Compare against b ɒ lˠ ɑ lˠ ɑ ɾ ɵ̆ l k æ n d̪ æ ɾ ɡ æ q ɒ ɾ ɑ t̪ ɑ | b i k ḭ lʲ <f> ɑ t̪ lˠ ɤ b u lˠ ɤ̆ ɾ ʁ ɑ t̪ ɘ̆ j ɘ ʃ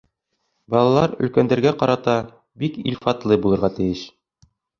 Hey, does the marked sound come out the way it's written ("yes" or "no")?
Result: yes